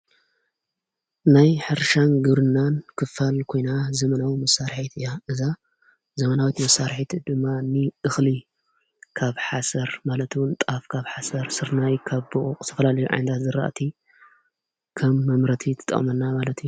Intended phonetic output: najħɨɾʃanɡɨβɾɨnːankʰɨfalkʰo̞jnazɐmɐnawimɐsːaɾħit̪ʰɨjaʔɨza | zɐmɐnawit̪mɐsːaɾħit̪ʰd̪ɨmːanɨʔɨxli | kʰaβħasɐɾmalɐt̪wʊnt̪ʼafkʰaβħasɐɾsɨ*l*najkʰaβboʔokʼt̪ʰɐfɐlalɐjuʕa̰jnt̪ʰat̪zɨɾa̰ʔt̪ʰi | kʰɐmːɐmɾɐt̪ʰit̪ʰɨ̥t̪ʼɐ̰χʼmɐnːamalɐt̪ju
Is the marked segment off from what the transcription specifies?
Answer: yes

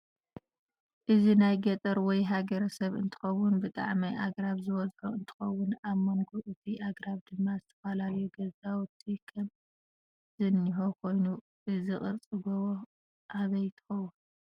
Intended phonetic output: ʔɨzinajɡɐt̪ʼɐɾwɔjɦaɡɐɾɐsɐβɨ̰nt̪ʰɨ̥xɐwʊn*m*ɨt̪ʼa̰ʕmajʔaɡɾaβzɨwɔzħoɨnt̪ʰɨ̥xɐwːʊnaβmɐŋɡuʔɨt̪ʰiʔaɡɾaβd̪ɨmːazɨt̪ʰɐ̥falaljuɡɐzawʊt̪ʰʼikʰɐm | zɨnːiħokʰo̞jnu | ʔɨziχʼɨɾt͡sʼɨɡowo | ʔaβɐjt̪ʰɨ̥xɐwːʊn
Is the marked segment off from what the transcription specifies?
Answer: yes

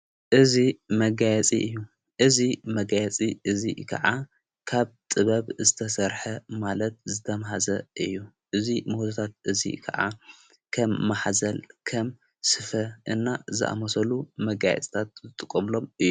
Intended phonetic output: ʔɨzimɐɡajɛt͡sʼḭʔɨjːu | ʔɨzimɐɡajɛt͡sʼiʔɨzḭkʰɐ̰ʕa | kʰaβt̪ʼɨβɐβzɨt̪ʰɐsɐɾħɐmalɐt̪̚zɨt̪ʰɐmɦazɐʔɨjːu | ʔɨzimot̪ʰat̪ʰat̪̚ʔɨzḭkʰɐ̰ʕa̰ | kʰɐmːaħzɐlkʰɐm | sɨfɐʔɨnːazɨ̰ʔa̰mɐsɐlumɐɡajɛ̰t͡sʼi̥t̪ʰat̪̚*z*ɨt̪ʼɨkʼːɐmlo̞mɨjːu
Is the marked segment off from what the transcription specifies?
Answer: no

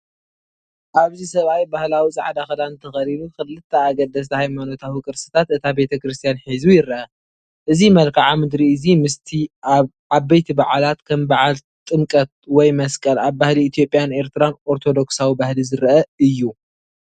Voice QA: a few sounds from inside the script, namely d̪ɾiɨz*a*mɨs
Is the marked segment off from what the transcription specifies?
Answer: yes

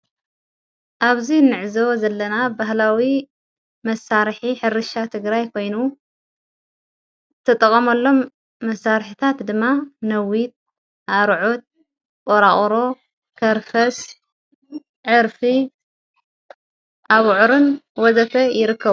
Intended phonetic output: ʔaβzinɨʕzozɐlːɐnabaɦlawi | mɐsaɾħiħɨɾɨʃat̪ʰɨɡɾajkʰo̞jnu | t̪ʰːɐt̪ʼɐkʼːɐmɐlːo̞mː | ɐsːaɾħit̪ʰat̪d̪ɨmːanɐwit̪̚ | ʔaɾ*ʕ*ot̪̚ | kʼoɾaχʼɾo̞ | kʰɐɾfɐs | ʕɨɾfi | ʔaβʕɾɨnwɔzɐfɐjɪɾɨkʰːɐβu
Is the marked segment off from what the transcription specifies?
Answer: no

